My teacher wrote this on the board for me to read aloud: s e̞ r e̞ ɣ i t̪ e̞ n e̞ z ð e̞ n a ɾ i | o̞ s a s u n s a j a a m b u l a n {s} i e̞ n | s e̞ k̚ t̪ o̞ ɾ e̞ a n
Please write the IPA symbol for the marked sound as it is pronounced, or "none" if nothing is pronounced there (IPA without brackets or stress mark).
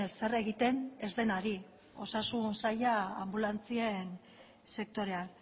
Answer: t͡s